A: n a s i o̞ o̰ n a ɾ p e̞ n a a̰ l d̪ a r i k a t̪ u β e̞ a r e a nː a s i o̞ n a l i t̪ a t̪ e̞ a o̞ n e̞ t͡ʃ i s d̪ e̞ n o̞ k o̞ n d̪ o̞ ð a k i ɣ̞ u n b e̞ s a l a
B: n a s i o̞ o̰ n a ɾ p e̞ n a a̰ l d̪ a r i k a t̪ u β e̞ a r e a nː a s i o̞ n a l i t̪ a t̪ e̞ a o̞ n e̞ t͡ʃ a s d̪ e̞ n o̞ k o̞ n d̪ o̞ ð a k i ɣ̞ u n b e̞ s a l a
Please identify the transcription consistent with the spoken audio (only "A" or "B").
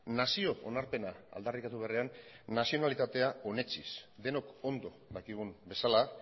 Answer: A